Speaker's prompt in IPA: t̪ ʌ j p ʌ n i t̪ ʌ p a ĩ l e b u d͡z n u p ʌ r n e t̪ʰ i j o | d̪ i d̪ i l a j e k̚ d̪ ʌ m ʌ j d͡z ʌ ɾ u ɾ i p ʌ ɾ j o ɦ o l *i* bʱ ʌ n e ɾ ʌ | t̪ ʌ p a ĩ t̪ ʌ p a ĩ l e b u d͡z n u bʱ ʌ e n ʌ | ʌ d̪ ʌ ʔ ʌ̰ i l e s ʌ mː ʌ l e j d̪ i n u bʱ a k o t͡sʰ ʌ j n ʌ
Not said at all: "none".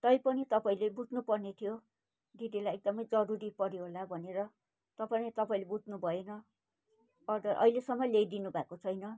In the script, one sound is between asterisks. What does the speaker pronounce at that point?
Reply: a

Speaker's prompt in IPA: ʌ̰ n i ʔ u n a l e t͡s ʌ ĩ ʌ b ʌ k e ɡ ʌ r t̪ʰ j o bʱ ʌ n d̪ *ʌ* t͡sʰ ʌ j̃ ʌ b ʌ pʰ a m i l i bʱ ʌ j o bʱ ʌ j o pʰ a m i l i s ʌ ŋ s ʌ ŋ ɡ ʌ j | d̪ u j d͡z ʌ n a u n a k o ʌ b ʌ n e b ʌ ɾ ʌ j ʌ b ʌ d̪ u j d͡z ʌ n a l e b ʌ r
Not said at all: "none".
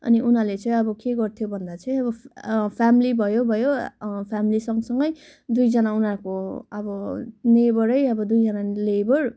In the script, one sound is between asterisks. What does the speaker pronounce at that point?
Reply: a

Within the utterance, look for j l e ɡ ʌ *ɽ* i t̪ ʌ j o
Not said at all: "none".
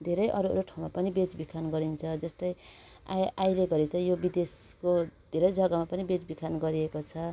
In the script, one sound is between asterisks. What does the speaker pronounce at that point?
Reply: ɾ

